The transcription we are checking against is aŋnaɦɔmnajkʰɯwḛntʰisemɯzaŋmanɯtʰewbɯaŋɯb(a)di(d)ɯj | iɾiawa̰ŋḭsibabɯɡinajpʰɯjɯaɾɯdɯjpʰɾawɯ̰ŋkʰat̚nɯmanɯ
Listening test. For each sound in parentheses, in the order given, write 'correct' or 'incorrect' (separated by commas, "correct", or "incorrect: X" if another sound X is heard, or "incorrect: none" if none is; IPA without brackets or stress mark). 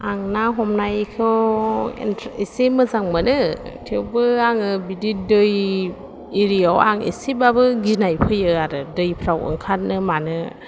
incorrect: i, correct